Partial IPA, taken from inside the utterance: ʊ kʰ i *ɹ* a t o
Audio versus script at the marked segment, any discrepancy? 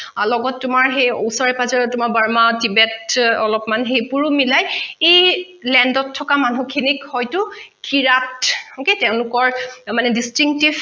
no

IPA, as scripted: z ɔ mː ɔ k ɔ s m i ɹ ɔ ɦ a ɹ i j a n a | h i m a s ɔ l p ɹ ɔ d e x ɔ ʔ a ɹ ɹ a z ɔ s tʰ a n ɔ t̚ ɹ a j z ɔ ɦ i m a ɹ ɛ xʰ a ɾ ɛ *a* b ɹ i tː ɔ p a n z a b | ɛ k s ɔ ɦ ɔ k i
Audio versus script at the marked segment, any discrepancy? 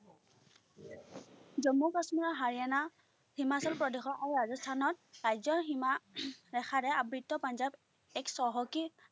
no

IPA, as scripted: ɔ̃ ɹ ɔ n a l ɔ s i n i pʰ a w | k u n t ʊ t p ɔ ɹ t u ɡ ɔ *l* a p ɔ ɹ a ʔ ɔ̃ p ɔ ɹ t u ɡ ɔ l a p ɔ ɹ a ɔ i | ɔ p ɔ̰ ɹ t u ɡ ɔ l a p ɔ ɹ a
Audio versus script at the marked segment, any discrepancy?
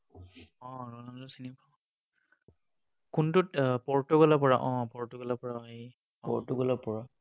no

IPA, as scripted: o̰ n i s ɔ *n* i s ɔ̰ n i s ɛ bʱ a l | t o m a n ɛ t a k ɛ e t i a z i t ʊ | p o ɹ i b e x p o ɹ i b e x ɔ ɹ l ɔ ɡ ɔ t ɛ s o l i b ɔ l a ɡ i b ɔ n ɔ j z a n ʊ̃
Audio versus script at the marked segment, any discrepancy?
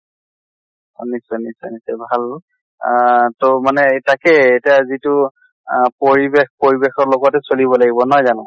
no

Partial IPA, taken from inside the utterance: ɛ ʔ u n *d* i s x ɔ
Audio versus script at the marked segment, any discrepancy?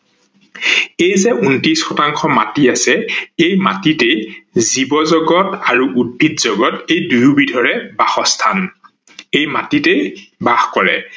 yes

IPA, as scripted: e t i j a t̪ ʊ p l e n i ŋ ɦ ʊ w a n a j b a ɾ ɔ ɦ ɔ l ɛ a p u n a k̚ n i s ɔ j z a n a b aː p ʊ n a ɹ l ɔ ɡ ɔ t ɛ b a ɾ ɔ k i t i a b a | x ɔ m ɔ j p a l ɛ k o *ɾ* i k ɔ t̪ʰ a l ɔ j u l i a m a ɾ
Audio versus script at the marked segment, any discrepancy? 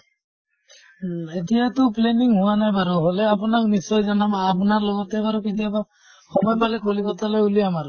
yes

